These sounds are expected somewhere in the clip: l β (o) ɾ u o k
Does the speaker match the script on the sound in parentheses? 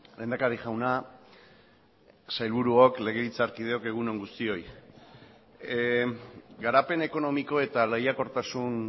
no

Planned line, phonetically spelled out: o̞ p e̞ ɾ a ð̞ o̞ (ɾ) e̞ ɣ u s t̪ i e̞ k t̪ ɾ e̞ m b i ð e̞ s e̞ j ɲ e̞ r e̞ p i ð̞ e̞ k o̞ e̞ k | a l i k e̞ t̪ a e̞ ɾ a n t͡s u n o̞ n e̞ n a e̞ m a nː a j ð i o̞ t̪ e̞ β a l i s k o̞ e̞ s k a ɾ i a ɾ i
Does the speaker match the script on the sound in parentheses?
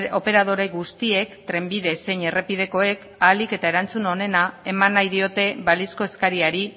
yes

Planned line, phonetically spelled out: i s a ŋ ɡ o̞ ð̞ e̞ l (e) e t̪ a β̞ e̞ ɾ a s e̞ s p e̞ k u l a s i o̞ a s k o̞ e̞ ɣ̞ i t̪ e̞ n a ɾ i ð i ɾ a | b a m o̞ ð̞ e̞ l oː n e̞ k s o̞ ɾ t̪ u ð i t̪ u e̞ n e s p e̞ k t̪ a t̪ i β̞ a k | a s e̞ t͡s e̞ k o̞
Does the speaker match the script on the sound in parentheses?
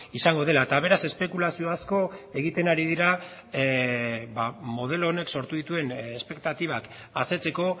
no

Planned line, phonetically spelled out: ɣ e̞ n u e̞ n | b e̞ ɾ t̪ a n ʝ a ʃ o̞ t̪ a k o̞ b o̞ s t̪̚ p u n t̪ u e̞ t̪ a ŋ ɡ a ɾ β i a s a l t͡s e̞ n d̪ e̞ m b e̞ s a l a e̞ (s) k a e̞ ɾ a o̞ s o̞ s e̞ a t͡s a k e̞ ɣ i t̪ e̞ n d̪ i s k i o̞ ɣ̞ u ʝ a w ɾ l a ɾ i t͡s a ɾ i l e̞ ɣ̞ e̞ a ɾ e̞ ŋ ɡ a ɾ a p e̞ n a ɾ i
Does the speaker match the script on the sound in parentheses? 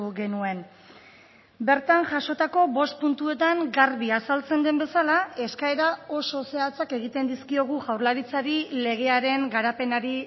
yes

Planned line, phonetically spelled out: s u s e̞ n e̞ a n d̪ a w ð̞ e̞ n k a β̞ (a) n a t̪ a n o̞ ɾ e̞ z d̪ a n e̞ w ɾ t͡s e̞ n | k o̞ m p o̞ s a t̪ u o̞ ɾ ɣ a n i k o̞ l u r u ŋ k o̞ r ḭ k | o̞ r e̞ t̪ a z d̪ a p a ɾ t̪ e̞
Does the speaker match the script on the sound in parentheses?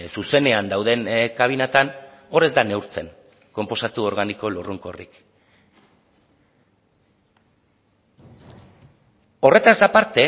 no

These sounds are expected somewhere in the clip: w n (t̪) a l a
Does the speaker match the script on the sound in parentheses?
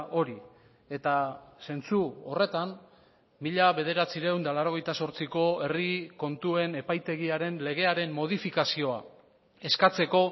no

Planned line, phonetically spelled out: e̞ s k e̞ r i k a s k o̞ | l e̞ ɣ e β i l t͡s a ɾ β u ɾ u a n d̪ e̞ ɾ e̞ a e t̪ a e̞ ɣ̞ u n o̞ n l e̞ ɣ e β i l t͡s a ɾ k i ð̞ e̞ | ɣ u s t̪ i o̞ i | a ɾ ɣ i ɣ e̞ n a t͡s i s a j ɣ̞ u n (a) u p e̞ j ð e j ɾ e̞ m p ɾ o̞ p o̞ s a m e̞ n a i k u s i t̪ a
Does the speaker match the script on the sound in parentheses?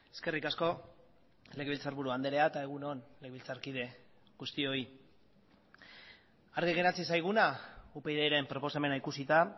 yes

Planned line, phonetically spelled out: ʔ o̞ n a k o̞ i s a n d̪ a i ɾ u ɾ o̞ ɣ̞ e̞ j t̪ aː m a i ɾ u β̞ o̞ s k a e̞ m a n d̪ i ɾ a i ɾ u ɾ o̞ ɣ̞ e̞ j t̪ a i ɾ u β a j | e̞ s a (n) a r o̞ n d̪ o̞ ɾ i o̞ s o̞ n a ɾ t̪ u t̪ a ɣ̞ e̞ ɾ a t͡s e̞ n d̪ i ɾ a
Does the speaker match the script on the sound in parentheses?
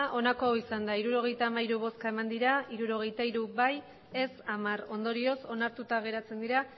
no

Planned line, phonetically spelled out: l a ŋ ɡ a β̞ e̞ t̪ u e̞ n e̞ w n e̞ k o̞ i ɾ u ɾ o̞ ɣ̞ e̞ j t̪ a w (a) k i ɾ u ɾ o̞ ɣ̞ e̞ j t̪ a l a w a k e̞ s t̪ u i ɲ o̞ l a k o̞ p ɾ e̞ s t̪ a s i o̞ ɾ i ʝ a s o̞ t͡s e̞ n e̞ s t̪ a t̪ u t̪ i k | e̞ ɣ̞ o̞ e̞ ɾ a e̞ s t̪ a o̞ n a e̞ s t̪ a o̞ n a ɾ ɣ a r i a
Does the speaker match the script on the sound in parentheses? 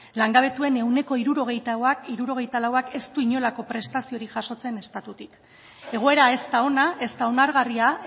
yes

